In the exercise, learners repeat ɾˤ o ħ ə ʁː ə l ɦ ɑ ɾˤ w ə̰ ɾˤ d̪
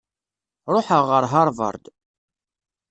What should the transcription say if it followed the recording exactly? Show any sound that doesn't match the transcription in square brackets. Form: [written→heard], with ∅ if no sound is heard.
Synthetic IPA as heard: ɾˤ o ħ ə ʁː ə [l→ɾ] ɦ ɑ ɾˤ [w→v] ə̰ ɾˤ d̪